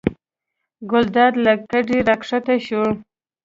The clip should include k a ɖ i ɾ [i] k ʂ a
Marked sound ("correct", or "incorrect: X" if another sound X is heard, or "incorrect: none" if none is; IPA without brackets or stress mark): incorrect: a